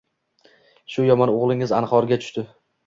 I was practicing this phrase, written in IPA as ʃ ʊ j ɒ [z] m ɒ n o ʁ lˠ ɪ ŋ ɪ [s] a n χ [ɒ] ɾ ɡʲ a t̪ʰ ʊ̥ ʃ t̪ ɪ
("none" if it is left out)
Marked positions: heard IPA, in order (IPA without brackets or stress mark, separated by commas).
none, z, ɒ